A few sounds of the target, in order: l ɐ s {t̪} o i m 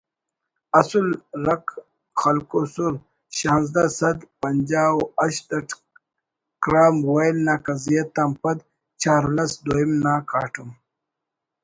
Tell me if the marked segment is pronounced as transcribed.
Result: no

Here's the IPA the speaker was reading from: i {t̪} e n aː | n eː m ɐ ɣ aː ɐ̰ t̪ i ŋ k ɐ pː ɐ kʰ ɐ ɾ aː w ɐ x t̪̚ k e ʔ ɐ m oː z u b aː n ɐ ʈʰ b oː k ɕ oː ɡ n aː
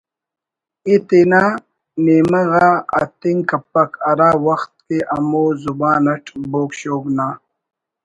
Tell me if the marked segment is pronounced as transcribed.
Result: yes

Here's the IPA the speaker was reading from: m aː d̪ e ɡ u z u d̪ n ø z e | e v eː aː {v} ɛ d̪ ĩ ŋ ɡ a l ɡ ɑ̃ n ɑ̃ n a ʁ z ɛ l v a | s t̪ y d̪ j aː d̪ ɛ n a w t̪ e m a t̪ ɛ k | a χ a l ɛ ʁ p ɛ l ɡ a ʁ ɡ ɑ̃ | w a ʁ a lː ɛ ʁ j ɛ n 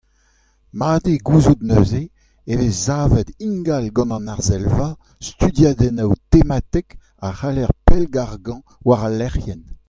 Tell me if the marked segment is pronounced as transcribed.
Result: yes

